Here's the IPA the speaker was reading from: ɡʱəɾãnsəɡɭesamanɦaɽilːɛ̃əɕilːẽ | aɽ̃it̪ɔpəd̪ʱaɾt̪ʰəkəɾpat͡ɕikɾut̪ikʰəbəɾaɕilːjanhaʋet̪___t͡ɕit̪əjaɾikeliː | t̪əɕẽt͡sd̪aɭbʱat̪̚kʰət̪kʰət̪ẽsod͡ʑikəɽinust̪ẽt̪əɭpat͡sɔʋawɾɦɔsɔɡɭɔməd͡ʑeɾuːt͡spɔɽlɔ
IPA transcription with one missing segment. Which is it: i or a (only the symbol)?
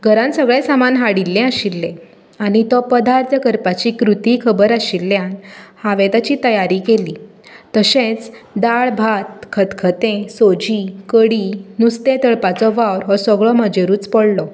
a